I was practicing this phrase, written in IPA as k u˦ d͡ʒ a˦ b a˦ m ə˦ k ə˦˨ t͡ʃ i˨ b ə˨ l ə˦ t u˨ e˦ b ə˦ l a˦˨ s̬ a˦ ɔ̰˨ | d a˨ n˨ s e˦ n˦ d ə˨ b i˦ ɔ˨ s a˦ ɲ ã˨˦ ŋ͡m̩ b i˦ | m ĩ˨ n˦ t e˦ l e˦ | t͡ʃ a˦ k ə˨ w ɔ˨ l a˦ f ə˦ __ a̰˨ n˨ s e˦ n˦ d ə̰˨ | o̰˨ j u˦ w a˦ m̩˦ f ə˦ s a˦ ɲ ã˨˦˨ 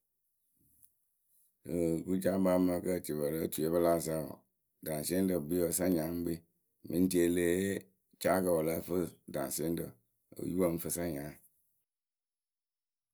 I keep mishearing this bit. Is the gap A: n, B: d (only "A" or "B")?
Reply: B